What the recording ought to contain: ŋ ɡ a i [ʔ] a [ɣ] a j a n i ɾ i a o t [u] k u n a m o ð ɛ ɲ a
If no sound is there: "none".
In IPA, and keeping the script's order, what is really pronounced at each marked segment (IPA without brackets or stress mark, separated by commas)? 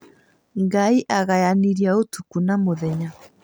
ʔ, ɣ, u